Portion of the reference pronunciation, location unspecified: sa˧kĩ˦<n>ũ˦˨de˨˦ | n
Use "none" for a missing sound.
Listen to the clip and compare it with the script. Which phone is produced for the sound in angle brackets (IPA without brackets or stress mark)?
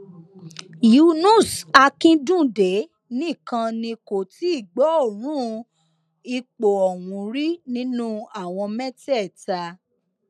d